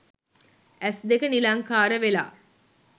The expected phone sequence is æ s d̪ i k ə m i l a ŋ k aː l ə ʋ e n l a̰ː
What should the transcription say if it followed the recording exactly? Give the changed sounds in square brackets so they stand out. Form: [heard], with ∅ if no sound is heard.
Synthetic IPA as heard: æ s d̪ [e] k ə [n] i l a ŋ k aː [ɾ] ə ʋ e [∅] l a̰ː